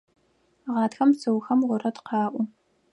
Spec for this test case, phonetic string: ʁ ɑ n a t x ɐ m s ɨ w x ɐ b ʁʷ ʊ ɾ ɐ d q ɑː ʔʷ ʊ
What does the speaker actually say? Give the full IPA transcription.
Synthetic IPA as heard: ʁ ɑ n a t x ɐ m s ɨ w x ɐ m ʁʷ ʊ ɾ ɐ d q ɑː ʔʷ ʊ